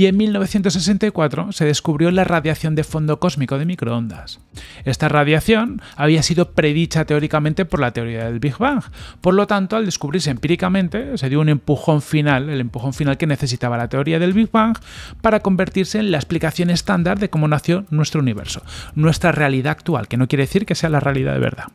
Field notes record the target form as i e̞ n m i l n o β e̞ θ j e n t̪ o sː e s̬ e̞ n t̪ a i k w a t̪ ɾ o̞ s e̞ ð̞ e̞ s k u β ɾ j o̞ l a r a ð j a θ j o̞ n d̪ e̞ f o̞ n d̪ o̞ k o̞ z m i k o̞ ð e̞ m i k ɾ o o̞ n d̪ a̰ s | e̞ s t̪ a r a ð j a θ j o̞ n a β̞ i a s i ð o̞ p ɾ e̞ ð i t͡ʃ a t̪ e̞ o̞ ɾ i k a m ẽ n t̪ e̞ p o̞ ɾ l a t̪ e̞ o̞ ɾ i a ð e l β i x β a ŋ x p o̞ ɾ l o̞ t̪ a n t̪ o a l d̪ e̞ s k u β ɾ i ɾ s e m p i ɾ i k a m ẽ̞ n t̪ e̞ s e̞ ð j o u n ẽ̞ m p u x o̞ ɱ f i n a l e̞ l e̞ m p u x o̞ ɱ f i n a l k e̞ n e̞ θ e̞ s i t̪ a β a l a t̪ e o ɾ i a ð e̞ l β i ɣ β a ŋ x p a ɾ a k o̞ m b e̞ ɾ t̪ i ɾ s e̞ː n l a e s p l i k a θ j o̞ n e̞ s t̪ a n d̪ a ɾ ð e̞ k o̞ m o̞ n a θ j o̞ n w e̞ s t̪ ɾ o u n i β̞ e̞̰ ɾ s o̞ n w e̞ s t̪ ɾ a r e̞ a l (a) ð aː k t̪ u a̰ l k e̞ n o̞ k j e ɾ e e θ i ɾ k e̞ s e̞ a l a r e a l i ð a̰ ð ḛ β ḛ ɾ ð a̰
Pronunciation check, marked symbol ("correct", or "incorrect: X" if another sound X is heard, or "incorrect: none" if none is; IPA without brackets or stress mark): incorrect: i